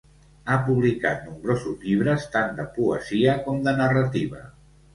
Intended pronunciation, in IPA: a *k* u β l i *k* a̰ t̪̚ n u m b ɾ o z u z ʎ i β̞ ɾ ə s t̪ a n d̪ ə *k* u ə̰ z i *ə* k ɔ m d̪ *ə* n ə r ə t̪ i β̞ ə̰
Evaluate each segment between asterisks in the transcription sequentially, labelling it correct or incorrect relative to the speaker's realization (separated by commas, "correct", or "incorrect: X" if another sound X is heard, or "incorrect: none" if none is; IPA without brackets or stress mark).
incorrect: p, correct, incorrect: p, correct, correct